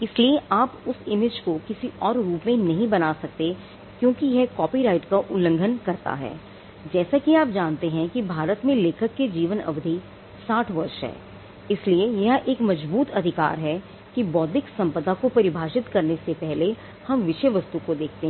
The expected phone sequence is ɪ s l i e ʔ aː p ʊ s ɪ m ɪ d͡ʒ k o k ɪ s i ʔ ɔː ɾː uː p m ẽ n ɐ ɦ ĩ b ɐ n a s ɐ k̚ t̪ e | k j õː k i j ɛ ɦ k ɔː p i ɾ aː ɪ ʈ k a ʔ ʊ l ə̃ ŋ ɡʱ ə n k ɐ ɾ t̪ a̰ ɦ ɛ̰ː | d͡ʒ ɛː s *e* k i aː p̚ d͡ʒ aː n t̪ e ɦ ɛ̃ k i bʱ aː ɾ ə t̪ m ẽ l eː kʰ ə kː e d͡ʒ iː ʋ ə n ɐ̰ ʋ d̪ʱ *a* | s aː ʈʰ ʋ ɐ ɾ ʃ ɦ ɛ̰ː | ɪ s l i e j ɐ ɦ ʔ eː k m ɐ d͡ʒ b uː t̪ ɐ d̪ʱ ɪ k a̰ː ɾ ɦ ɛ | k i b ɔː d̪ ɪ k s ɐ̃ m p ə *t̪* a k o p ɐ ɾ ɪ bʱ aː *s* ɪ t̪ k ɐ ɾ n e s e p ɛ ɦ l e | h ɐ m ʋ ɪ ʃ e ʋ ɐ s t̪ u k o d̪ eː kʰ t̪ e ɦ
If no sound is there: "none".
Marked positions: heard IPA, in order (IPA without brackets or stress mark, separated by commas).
a, i, d̪, ʃ